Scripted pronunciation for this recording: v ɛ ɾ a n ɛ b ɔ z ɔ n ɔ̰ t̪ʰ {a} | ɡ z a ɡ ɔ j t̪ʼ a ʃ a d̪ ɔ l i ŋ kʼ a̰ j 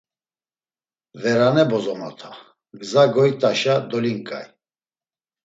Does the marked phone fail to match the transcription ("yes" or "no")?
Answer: no